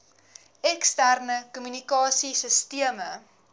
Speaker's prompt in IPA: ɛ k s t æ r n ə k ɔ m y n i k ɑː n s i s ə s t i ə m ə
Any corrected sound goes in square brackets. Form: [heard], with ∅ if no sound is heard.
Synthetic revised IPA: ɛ k s t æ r n ə k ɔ m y n i k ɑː [∅] s i s ə s t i ə m ə

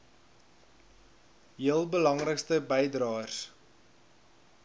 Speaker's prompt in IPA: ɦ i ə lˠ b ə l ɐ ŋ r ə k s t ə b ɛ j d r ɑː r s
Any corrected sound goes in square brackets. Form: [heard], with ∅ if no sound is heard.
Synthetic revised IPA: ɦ i ə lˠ b ə l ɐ ŋ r ə k s t ə b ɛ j d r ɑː r s

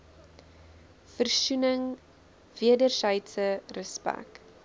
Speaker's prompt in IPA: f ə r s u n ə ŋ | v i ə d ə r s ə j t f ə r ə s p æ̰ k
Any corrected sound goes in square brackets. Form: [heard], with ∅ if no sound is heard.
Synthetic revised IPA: f ə r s u n ə ŋ | v i ə d ə r s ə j t [s] ə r ə s p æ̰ k

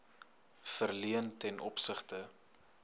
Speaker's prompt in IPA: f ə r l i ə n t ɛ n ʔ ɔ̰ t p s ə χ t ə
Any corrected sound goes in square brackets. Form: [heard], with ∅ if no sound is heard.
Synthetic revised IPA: f ə r l i ə n t ɛ n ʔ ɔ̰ [∅] p s ə χ t ə

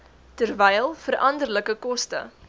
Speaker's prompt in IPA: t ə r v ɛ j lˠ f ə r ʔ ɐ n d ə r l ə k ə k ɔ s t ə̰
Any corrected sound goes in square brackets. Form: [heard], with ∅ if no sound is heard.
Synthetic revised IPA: t ə r v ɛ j lˠ f ə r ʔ ɐ n d ə r l ə k ə k ɔ s t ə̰

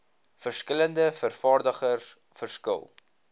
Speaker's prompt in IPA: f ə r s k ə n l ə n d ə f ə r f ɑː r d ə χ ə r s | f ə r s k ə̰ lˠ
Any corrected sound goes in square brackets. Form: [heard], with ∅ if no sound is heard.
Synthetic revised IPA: f ə r s k ə [∅] l ə n d ə f ə r f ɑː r d ə χ ə r s | f ə r s k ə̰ lˠ

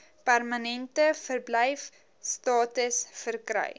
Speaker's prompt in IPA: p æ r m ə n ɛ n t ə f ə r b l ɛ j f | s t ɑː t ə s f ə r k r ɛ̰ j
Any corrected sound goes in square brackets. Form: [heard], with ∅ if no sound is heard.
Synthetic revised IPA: p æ r m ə n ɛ n t ə f ə r b l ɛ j f | s t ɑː t ə s f ə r k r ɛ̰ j

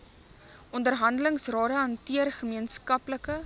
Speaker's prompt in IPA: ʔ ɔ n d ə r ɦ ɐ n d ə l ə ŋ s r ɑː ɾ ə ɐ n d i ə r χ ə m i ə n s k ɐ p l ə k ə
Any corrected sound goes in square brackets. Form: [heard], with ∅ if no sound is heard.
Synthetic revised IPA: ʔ ɔ n d ə r ɦ ɐ n d ə l ə ŋ s r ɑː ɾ ə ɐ n [t] i ə r χ ə m i ə n s k ɐ p l ə k ə

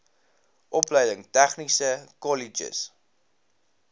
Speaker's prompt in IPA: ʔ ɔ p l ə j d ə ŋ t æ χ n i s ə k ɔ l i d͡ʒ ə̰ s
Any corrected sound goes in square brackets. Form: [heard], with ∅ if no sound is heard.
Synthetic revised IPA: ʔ ɔ p l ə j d ə ŋ t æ χ n i s ə k ɔ l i d͡ʒ ə̰ s

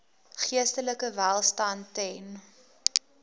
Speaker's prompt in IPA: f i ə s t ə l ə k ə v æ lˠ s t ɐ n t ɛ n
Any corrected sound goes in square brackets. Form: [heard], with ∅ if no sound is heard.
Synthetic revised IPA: [χ] i ə s t ə l ə k ə v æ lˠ s t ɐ n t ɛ n

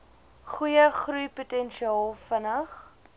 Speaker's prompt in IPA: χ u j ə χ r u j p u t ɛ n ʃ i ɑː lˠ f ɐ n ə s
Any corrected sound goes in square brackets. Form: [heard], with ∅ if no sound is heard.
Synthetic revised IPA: χ u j ə χ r u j p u t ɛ n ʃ i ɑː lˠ f [ə] n ə [χ]

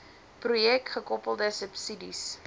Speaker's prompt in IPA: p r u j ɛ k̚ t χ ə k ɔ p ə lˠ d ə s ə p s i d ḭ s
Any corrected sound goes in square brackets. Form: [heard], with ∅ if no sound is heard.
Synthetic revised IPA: p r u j ɛ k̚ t χ ə k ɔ p ə lˠ d ə s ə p s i d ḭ s

